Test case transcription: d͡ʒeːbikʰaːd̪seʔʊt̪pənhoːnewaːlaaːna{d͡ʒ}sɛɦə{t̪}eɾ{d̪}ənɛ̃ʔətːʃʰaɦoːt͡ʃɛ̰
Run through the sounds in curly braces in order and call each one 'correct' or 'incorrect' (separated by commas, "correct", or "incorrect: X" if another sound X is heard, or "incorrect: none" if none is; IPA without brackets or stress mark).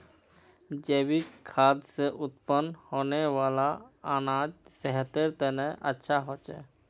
correct, correct, incorrect: t̪